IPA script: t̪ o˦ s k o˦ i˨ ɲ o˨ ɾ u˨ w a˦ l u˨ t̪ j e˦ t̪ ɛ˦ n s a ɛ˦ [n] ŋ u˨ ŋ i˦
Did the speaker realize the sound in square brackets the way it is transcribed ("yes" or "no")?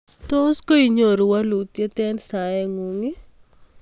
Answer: no